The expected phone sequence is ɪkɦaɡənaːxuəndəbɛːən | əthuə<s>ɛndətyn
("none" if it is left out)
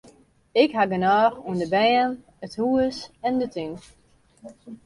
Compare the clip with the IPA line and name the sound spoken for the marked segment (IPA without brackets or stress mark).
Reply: s